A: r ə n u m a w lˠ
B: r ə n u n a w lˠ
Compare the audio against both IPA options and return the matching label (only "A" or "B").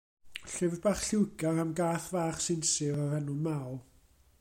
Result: A